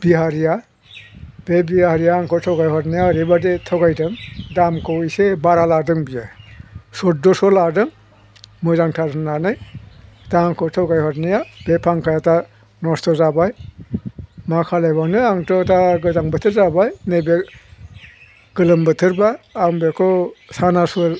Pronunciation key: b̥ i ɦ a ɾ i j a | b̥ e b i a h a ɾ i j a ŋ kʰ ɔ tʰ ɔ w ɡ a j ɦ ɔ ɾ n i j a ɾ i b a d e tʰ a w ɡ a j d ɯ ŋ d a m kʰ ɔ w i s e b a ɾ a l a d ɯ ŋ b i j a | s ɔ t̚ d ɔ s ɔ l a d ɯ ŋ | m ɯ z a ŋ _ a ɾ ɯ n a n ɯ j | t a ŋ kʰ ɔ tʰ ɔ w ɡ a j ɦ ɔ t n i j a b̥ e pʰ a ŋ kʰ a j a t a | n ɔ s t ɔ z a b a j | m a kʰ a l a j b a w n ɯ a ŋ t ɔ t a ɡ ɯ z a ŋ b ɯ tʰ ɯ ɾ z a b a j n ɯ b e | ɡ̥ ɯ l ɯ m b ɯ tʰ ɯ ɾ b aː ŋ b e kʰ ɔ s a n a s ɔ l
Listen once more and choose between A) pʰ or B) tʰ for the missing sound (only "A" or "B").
B